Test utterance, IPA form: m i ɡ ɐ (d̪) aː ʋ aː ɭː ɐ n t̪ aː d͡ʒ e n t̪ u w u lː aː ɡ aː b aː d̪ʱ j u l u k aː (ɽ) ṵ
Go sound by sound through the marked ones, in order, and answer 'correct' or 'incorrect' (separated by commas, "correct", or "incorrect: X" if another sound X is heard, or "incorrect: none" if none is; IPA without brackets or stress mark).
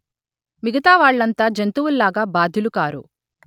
incorrect: t̪, incorrect: ɾ